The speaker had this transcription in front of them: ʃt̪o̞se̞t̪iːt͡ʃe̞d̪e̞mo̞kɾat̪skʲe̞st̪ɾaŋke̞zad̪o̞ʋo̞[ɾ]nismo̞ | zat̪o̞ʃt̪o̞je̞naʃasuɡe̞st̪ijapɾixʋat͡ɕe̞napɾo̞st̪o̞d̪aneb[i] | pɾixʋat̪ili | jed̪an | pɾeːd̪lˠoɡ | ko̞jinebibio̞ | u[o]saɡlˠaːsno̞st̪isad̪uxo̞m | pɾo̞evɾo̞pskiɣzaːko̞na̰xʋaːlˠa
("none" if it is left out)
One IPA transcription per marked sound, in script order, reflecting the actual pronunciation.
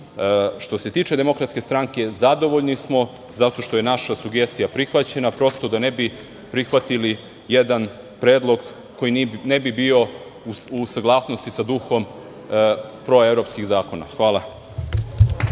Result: ʎ, i, u

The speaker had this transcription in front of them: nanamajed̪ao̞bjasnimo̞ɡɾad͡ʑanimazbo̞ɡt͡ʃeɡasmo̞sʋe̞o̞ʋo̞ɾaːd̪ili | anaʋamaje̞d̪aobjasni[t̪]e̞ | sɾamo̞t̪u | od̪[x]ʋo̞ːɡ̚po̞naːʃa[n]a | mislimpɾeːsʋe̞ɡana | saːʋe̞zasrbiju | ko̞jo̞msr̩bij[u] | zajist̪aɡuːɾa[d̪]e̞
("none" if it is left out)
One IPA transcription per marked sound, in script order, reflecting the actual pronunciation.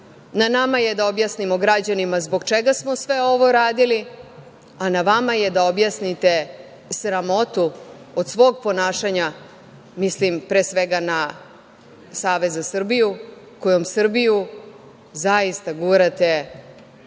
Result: t̪, s, ɲ, u, t̪

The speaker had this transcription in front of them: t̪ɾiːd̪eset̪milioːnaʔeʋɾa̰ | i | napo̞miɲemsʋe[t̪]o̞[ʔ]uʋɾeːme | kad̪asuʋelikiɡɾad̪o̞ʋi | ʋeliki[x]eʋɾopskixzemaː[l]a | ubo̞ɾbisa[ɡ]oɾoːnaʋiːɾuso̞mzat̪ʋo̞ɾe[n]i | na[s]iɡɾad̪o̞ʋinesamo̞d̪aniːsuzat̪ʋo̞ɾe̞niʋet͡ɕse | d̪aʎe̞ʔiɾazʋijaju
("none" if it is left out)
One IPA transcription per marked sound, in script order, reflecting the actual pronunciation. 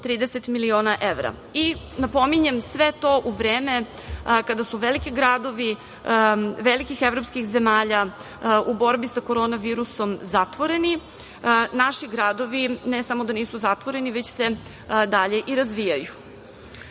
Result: t̪, ʔ, x, ʎ, k, n, ʃ

